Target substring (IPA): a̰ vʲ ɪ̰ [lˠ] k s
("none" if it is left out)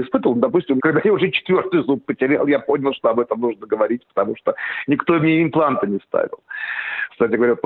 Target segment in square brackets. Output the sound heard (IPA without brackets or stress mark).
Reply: lˠ